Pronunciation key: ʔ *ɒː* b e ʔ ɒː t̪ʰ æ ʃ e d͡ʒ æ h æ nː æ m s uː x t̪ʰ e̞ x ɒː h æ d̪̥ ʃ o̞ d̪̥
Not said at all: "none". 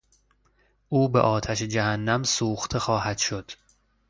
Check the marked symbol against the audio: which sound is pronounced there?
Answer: uː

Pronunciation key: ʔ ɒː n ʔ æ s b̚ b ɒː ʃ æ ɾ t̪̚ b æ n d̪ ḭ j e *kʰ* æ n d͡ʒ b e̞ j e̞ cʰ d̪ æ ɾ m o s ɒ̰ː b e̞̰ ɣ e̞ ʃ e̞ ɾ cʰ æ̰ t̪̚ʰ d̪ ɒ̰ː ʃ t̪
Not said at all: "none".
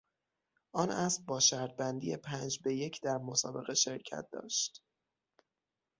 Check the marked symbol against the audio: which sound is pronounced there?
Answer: pʰ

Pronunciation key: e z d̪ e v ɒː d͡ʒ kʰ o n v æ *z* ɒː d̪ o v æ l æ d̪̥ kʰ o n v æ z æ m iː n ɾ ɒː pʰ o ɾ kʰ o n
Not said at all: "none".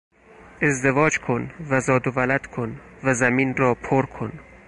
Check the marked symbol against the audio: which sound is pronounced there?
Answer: z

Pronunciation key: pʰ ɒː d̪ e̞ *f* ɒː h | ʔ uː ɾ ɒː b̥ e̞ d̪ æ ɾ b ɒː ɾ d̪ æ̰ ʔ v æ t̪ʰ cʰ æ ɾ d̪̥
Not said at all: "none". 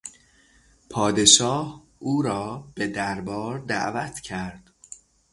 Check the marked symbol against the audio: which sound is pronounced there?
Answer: ʃ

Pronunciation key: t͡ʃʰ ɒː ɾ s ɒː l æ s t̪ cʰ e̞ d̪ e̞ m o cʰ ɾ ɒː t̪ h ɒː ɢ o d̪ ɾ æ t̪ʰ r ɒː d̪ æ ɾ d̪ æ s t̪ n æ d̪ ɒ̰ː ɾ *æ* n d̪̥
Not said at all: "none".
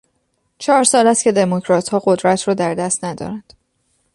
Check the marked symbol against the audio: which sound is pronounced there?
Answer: æ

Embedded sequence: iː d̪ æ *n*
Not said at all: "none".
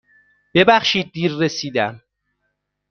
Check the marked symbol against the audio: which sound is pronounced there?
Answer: m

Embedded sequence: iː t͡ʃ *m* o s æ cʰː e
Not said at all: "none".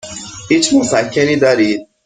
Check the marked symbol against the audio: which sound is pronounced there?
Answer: m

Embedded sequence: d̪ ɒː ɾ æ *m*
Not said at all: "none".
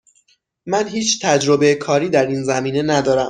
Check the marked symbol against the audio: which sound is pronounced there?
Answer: m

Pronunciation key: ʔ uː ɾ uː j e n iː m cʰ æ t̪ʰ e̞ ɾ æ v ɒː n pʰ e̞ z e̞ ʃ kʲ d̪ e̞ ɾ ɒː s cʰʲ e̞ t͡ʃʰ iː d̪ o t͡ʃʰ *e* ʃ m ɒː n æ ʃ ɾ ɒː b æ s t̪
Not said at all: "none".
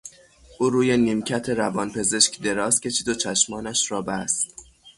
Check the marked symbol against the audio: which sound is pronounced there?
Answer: æ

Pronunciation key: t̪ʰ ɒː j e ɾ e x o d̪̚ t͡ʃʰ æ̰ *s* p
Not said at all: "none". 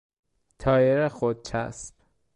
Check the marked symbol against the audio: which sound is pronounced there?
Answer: s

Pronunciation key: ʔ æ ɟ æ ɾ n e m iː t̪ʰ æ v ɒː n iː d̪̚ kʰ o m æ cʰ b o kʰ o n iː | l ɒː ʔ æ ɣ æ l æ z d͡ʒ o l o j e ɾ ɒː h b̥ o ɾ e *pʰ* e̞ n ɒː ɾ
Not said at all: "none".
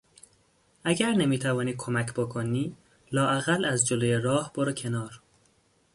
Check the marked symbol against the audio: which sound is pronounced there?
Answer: cʰ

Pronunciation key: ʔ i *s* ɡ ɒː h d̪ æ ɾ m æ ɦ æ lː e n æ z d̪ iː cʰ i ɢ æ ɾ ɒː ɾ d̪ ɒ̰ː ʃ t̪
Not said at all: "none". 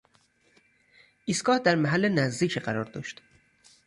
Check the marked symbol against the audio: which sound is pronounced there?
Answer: s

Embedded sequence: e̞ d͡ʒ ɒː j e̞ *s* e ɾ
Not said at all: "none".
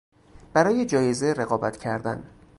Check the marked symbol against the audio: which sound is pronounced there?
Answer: z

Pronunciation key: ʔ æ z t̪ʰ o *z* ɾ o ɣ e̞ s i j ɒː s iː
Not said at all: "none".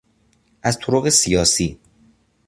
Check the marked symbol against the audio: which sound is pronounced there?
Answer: none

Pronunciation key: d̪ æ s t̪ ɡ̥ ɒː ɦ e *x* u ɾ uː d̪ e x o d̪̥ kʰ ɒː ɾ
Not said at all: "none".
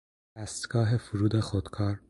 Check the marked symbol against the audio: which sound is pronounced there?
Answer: f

